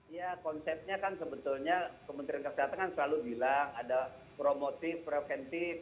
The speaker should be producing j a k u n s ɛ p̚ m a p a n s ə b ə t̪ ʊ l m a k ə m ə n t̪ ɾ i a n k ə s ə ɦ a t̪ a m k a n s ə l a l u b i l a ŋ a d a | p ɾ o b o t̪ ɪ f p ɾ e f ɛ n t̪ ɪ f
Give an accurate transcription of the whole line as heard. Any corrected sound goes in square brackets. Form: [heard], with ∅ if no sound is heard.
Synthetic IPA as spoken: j a k [ɔ] n s ɛ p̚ [ɲ] a [k] a n s ə b ə t̪ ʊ l [ɲ] a k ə m ə n t̪ ɾ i a n k ə s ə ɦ a t̪ a [ŋ] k a n s ə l a l u b i l a ŋ a d a | p ɾ o [m] o t̪ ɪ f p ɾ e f ɛ n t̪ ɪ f